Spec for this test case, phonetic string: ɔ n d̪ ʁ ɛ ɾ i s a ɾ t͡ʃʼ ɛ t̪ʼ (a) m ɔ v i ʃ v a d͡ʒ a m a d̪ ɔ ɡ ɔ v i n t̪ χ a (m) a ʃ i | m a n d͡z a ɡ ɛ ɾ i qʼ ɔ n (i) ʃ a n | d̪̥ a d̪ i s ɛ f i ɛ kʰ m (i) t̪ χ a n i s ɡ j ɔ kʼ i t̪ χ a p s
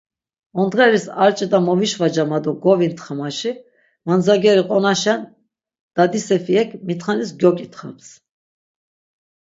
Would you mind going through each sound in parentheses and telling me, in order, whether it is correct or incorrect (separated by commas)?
correct, correct, incorrect, correct